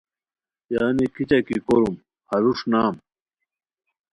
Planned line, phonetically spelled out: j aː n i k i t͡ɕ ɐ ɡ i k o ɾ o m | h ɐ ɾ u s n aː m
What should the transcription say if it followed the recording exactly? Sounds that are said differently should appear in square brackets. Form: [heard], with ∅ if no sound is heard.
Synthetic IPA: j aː n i k i t͡ɕ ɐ [k] i k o ɾ [u] m | h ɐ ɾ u [ʂ] n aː m